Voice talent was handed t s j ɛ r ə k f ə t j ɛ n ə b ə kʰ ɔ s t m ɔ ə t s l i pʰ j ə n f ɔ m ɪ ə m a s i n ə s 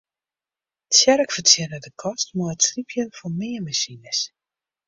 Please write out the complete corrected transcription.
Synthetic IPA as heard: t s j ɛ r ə k f ə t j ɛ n ə d ə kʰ ɔ s t m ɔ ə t s l i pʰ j ə n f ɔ m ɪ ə m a s i n ə s